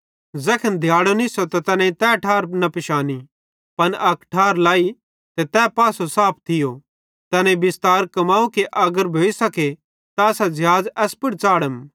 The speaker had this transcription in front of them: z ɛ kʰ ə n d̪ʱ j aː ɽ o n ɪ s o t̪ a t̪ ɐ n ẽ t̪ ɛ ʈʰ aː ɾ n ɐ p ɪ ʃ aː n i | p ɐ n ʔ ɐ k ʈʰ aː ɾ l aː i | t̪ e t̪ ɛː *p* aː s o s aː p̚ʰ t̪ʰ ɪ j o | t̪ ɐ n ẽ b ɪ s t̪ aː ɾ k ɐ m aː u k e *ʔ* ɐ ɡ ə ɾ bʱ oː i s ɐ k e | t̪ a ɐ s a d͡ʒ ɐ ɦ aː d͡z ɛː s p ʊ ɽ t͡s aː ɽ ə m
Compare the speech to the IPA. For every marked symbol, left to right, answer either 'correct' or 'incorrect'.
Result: correct, correct

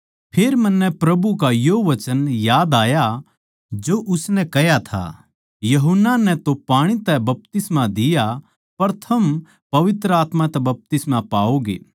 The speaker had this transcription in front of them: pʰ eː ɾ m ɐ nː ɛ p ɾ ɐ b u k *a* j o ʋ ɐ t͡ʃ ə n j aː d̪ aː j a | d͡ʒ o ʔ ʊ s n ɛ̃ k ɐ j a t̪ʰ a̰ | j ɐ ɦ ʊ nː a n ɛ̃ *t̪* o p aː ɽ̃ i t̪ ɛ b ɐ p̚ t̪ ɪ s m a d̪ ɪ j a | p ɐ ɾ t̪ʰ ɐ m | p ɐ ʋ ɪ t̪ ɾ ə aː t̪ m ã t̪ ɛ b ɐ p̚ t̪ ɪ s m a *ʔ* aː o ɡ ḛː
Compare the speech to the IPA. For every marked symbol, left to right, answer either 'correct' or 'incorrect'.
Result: correct, correct, incorrect

